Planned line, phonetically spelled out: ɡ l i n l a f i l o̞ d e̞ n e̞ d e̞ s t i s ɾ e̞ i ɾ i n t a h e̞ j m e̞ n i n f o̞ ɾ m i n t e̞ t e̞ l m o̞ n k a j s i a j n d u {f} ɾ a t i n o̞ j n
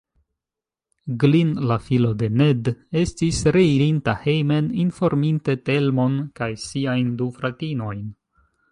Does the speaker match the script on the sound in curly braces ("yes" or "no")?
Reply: yes